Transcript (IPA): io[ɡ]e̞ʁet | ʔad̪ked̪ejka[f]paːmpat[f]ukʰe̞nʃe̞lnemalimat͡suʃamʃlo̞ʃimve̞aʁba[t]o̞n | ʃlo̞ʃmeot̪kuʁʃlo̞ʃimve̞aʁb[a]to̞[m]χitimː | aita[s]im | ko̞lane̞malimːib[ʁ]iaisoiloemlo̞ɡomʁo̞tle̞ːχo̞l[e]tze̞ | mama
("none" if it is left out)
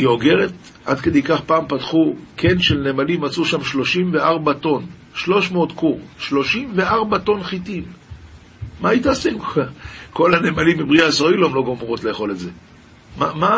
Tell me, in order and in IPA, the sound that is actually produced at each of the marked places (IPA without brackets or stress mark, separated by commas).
ɡ, χ, χ, t, a, n, s, ʁ, e